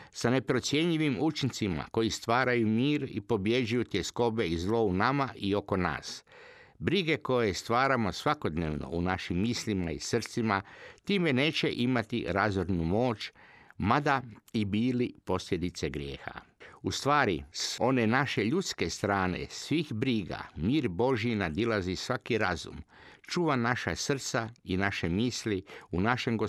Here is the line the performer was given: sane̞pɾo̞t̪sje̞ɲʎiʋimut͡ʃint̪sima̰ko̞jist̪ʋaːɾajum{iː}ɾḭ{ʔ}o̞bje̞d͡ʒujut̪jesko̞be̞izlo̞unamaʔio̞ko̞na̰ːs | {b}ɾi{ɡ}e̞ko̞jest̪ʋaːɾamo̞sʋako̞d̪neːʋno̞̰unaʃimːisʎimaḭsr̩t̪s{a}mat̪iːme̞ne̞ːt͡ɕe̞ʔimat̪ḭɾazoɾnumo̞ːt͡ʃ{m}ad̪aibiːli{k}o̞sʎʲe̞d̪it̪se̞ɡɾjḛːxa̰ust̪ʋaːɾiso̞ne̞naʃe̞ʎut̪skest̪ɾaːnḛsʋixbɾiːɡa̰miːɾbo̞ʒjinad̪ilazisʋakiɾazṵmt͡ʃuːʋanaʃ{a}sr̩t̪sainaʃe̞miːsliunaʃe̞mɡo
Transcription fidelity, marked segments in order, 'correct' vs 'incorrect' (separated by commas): correct, incorrect, correct, correct, incorrect, correct, incorrect, correct